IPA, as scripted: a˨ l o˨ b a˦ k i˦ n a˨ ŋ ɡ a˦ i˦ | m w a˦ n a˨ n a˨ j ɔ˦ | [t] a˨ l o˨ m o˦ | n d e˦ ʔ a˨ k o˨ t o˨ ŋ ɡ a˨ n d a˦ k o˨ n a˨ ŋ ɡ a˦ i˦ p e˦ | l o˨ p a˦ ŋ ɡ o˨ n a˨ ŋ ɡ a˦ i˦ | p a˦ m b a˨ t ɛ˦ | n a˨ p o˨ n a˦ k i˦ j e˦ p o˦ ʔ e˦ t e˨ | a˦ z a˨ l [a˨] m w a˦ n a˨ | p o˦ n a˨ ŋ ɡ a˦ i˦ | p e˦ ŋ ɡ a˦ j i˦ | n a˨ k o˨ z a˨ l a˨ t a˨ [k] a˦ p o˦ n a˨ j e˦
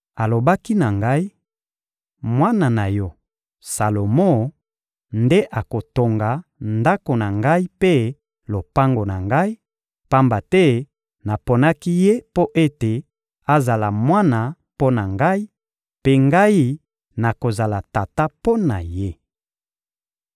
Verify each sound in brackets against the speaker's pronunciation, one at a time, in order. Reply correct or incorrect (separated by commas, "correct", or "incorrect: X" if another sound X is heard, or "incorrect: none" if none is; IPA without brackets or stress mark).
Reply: incorrect: s, correct, incorrect: t